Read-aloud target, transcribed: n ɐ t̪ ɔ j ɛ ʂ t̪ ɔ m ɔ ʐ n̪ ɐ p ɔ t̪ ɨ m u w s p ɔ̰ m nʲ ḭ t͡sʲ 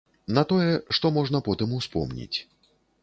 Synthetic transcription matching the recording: n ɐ t̪ ɔ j ɛ ʂ t̪ ɔ m ɔ ʐ n̪ ɐ p ɔ t̪ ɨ m u w s p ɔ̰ m nʲ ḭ t͡sʲ

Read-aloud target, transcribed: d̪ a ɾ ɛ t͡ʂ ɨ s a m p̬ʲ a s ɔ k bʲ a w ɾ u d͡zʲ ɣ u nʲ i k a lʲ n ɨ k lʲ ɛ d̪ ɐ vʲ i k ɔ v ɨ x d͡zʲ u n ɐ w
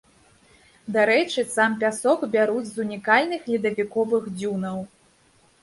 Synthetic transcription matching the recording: d̪ a ɾ ɛ t͡ʂ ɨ s a m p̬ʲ a s ɔ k bʲ a ɾ u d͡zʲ z u nʲ i k a lʲ n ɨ x lʲ i d̪ ɐ vʲ i k ɔ v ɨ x d͡zʲ u n ɐ w

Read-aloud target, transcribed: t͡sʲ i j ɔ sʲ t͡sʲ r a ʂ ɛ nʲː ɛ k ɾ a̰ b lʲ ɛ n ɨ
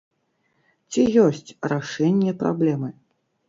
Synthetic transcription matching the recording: t͡sʲ i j ɔ sʲ t͡sʲ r a ʂ ɛ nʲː ɛ p ɾ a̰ b lʲ ɛ m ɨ

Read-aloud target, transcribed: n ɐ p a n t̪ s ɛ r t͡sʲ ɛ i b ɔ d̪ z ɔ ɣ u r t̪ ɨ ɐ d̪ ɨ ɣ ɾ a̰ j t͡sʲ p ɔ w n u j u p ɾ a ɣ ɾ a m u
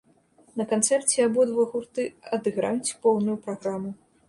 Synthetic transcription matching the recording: n ɐ k a n t̪ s ɛ r t͡sʲ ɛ a b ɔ d̪ v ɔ ɣ u r t̪ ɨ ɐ d̪ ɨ ɣ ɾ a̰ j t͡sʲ p ɔ w n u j u p ɾ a ɣ ɾ a m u

